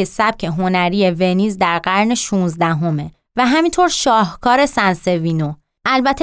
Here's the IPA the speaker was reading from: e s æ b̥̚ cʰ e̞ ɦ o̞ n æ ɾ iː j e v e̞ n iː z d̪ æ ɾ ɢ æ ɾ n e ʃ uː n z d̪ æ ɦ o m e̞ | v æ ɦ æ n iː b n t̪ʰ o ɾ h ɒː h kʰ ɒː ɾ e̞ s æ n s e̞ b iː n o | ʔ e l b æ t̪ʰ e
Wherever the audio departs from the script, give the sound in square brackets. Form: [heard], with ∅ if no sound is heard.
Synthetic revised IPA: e s æ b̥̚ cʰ e̞ ɦ o̞ n æ ɾ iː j e v e̞ n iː z d̪ æ ɾ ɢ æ ɾ n e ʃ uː n z d̪ æ ɦ o m e̞ | v æ ɦ æ [m] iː [∅] n t̪ʰ o ɾ [ʃ] ɒː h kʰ ɒː ɾ e̞ s æ n s e̞ [v] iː n o | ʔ [æ] l b æ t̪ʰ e